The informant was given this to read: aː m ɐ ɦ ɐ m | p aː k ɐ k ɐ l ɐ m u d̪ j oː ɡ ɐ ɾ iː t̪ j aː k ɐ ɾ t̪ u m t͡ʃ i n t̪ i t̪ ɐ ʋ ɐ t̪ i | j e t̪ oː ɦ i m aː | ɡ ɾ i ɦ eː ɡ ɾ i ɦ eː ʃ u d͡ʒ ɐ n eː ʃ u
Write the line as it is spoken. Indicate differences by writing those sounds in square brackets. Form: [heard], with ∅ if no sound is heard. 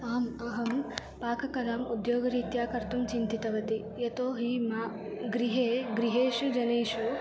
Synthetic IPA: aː m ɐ ɦ ɐ m | p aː k ɐ k ɐ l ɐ m u d̪ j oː ɡ ɐ ɾ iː t̪ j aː k ɐ ɾ t̪ u m t͡ʃ i n t̪ i t̪ ɐ ʋ ɐ t̪ i | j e t̪ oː ɦ i m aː | ɡ ɾ i ɦ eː ɡ ɾ i ɦ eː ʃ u d͡ʒ ɐ n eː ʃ u